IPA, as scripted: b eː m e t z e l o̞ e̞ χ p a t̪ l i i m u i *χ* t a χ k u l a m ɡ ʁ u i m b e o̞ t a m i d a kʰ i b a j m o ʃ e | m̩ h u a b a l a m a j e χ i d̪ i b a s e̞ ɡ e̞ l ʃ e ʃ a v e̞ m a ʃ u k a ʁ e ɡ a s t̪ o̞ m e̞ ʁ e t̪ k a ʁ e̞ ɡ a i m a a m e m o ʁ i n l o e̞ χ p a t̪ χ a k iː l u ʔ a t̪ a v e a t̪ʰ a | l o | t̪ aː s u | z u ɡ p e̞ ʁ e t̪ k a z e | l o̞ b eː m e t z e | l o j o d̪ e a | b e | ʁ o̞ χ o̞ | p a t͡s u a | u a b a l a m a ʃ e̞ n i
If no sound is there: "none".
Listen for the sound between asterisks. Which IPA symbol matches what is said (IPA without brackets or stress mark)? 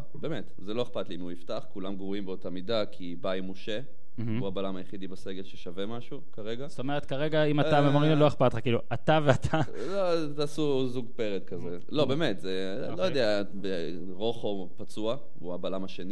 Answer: f